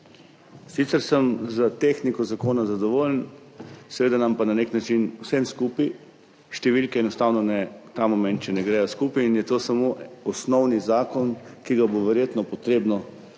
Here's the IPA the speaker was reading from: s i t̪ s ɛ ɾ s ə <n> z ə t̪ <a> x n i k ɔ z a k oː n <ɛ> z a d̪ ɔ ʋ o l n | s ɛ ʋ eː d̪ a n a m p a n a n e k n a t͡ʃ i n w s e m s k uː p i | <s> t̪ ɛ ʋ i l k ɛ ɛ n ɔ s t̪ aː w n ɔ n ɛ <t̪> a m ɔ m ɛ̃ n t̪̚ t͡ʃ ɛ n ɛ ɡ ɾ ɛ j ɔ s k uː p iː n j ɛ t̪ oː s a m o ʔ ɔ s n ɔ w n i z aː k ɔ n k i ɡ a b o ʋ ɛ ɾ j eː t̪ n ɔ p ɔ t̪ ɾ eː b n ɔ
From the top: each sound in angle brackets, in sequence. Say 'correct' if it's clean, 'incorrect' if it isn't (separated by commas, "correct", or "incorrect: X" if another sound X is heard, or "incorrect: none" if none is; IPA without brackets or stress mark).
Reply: incorrect: m, incorrect: e, incorrect: a, incorrect: ʃ, correct